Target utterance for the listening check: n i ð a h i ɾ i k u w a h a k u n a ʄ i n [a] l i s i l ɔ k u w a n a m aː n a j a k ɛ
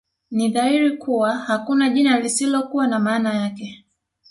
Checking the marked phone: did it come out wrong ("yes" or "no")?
no